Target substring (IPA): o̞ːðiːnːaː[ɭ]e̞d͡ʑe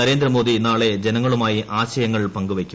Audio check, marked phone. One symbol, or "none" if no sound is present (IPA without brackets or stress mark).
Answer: ɭ